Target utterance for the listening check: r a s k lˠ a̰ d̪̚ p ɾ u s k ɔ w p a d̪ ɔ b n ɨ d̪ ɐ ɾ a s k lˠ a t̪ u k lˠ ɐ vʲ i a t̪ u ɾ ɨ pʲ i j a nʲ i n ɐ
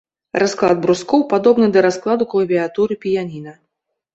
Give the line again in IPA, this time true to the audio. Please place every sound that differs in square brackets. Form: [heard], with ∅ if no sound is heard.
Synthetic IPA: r a s k lˠ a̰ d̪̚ [b] ɾ u s k ɔ w p a d̪ ɔ b n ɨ d̪ ɐ ɾ a s k lˠ a [d̪] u k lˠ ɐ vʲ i a t̪ u ɾ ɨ pʲ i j a nʲ i n ɐ